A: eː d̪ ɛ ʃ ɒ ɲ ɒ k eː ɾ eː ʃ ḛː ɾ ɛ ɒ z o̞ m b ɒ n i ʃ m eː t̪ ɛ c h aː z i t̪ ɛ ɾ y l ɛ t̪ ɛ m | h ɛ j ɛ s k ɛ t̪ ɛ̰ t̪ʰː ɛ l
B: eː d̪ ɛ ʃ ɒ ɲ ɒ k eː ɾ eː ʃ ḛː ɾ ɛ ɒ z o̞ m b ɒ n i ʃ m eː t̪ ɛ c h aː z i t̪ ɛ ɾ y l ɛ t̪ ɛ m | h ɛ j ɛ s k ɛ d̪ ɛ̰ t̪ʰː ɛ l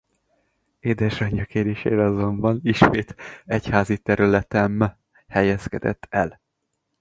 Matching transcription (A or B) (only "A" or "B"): B